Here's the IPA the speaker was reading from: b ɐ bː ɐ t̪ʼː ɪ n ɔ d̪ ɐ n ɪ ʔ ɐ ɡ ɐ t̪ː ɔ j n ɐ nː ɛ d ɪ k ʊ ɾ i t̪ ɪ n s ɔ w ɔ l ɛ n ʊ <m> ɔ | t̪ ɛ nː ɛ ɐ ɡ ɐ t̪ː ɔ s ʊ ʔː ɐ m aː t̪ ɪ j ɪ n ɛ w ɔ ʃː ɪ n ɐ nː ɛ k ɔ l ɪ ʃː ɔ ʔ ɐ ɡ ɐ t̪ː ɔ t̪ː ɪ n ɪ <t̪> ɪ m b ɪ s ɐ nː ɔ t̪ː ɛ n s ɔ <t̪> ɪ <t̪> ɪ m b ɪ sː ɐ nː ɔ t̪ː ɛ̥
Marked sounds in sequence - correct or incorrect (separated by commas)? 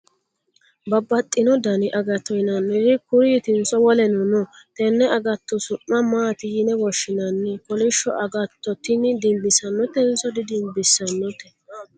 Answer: incorrect, incorrect, incorrect, incorrect